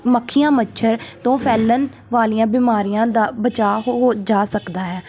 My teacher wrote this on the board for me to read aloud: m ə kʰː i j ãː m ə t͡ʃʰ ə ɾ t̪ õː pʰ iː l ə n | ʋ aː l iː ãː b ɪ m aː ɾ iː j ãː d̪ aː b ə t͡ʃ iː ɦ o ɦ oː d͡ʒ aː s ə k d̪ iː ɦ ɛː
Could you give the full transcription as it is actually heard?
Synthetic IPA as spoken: m ə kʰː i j ãː m ə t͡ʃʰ ə ɾ t̪ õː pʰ ɛː l ə n | ʋ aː l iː ãː b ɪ m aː ɾ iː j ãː d̪ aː b ə t͡ʃ aː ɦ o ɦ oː d͡ʒ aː s ə k d̪ aː ɦ ɛː